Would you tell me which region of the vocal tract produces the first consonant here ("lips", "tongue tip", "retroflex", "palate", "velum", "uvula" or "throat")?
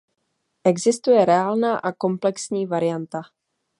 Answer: throat